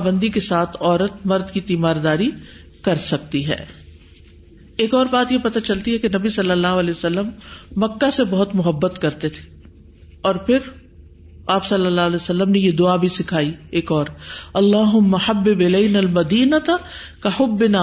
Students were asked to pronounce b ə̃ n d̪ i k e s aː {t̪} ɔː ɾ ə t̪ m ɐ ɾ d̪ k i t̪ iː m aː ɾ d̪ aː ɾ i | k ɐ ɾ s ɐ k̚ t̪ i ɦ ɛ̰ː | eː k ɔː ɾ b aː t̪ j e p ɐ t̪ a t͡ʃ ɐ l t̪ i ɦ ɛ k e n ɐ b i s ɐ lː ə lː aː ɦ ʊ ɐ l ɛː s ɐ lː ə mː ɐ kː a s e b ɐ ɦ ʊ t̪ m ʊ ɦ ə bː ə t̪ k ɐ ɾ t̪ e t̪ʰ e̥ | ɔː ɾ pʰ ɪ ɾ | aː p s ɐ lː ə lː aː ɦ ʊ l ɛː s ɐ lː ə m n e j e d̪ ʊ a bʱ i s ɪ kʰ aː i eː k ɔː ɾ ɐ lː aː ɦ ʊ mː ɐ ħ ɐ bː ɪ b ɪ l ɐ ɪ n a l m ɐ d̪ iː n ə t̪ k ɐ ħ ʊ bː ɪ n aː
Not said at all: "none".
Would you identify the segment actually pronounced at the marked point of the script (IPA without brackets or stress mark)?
t̪ʰ